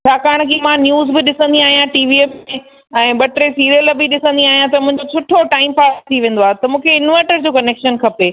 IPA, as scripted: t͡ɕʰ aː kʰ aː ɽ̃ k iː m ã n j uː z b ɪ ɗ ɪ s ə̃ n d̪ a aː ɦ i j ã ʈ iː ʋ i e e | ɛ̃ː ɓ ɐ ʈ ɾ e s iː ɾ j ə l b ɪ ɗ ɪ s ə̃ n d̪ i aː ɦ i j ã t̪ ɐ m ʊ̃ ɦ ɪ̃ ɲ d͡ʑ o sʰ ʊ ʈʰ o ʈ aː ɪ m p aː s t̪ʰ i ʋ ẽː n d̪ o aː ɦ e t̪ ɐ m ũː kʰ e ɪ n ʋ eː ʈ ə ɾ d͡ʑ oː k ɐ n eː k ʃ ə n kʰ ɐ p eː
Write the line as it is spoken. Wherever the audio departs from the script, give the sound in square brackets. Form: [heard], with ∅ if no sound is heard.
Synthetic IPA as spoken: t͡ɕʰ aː [k] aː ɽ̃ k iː m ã n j uː z b ɪ ɗ ɪ s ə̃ n d̪ [i] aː ɦ i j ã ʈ iː ʋ i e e | ɛ̃ː ɓ ɐ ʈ ɾ e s iː ɾ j ə l b ɪ ɗ ɪ s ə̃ n d̪ i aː ɦ i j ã t̪ ɐ m ʊ̃ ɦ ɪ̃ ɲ d͡ʑ o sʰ ʊ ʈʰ o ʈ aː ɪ m p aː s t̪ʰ i ʋ ẽː n d̪ o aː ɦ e t̪ ɐ m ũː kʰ e ɪ n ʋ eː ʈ ə ɾ d͡ʑ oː k ɐ n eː k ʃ ə n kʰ ɐ p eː